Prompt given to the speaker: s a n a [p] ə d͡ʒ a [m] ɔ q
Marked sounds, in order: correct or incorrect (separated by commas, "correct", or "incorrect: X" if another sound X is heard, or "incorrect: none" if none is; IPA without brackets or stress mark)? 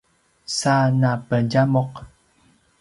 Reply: correct, correct